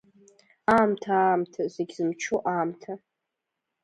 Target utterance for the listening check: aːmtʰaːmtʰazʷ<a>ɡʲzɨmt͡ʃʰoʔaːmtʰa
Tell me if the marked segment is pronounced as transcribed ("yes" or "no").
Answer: no